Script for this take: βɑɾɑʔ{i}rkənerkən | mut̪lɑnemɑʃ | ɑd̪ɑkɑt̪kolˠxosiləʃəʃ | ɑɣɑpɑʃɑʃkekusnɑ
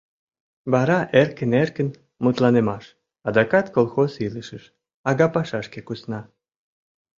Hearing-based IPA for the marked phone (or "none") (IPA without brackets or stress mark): e